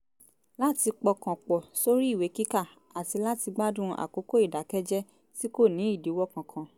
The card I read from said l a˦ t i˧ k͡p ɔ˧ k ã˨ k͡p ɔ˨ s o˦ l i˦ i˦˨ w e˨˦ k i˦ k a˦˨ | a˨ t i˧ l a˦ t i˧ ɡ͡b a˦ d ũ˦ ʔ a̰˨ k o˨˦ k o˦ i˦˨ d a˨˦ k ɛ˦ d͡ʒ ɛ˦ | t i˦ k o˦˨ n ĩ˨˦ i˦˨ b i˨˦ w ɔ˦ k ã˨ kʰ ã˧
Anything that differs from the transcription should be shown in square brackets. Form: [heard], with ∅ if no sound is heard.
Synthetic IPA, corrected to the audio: l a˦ t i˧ k͡p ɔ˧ k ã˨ k͡p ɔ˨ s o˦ [ɾ] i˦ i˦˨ w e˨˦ k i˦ k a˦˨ | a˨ t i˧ l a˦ t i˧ ɡ͡b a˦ d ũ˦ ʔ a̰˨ k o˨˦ k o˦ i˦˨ d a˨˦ k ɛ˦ d͡ʒ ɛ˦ | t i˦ k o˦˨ n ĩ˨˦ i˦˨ [d] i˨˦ w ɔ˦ k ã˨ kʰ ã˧

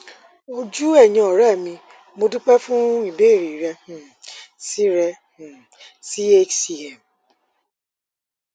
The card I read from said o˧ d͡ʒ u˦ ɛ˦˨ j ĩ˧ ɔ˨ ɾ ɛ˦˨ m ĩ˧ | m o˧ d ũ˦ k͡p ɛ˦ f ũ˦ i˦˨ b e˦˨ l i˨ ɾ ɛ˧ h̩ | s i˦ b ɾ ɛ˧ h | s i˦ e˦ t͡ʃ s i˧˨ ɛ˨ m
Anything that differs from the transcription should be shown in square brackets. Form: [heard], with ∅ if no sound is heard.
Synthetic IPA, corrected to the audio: o˧ d͡ʒ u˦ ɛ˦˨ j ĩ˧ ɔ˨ ɾ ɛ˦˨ m ĩ˧ | m o˧ d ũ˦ k͡p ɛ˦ f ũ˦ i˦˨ b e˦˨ [ɾ] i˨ ɾ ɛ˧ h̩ | s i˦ [∅] ɾ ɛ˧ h | s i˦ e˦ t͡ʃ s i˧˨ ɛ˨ m

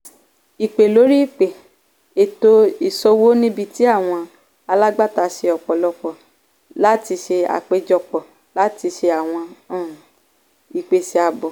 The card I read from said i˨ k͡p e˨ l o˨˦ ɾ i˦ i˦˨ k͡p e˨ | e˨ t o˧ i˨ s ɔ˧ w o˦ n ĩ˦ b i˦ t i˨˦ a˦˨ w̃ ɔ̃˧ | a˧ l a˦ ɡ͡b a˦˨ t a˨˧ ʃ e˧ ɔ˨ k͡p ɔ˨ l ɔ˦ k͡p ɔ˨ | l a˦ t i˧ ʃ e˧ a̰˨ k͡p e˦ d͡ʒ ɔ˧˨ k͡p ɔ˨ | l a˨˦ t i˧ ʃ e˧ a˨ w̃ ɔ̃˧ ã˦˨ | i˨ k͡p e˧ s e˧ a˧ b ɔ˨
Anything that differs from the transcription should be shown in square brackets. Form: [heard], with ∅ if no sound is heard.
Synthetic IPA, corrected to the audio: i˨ k͡p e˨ l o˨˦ ɾ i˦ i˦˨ k͡p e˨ | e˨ t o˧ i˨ s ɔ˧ w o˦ n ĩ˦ b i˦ t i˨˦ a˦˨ w̃ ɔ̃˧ | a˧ l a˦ ɡ͡b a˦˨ t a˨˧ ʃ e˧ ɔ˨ k͡p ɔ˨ l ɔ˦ k͡p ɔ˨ | l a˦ t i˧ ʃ e˧ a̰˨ k͡p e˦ d͡ʒ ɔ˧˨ k͡p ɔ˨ | l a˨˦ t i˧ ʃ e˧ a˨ w̃ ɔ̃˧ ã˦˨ | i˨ k͡p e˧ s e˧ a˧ b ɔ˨

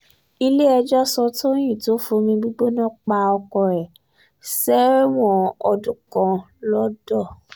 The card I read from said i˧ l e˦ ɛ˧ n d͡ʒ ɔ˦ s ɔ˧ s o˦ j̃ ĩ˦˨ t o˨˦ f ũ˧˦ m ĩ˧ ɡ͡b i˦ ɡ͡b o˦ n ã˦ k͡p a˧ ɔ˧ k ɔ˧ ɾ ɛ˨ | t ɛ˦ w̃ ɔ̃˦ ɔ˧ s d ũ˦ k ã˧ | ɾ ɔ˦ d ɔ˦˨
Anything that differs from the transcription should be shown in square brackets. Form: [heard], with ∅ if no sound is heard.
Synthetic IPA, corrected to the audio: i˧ l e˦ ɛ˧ [∅] d͡ʒ ɔ˦ s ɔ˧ [t] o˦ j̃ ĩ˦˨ t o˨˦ f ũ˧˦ m ĩ˧ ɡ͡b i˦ ɡ͡b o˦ n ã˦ k͡p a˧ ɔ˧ k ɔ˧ ɾ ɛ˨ | [s] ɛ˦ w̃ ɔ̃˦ ɔ˧ [∅] d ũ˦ k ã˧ | [l] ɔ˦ d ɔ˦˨

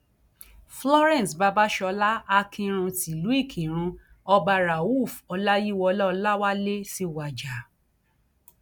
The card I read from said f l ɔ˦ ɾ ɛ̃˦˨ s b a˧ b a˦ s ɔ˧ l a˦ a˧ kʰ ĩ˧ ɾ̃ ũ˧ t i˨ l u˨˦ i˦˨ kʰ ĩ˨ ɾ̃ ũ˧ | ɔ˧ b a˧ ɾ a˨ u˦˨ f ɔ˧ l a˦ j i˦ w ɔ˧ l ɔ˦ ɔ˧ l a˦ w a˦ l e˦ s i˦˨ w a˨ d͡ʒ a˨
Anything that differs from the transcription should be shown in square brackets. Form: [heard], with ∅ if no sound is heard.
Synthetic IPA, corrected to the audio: f l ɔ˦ ɾ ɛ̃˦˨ s b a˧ b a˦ [ʃ] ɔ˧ l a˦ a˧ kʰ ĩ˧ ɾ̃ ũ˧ t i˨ l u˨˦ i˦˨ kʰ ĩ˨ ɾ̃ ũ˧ | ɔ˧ b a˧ ɾ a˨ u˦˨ f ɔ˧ l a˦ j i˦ w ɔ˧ l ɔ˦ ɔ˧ l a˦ w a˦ l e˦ s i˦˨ w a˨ d͡ʒ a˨

